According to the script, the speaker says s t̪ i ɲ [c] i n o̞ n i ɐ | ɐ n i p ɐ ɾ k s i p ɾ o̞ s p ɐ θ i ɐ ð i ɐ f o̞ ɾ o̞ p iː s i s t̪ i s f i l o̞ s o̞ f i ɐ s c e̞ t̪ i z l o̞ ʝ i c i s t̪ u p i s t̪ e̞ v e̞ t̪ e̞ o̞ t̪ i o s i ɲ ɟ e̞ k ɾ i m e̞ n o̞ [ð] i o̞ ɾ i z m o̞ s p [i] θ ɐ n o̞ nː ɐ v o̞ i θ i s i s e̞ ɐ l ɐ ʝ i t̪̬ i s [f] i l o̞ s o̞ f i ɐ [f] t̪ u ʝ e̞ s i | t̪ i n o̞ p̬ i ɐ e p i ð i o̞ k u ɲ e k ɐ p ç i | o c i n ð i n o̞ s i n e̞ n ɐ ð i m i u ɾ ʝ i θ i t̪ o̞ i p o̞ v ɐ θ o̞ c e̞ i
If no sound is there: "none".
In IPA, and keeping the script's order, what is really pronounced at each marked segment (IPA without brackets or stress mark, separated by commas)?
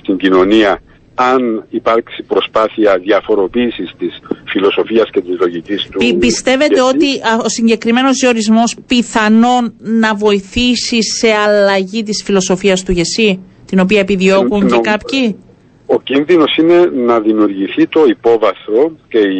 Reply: ɟ, z, i, f, s